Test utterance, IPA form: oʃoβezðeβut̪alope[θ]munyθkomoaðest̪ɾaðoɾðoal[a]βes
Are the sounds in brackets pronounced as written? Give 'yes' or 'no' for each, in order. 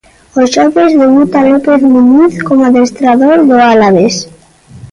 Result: yes, yes

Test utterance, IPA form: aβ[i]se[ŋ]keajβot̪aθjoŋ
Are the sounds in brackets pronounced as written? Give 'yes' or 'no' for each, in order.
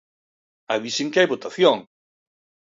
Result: yes, yes

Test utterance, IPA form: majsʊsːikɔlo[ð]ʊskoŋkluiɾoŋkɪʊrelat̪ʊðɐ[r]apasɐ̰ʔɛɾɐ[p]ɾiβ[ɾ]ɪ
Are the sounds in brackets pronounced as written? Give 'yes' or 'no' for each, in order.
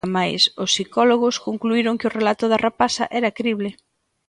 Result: no, yes, no, no

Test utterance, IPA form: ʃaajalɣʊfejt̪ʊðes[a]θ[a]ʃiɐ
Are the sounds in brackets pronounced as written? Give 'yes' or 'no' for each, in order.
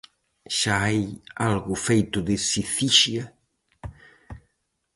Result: no, no

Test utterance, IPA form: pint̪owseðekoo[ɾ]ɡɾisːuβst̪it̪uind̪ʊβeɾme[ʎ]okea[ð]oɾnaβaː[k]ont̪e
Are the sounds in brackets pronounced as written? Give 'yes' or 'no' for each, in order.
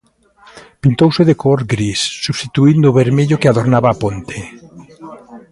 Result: yes, yes, yes, no

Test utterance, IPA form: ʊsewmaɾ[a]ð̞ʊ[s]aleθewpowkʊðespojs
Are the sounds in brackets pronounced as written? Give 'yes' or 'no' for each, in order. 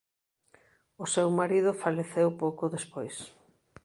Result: no, no

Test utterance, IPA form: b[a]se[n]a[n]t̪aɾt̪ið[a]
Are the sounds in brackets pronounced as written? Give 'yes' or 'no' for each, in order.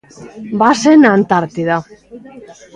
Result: yes, yes, yes, yes

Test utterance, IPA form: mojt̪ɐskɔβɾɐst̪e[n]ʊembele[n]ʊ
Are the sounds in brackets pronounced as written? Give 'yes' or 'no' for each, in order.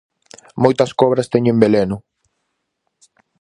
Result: no, yes

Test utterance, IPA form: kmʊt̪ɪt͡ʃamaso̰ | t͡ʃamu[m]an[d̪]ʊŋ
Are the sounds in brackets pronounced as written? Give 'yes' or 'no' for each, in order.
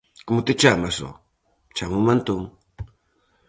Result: yes, no

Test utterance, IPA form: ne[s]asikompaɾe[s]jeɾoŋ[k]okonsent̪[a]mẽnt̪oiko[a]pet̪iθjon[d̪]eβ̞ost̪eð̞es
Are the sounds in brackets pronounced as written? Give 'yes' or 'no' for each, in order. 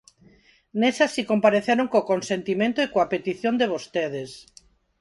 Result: yes, no, yes, no, yes, yes

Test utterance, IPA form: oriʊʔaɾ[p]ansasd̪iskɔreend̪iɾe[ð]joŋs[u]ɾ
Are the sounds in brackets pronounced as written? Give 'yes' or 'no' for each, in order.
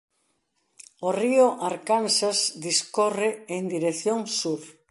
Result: no, no, yes

